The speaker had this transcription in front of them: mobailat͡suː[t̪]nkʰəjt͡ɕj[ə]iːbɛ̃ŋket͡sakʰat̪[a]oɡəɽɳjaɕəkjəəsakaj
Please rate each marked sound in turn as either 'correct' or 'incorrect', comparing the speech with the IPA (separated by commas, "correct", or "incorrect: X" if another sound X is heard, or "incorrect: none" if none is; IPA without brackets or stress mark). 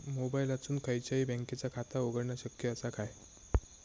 incorrect: none, incorrect: a, correct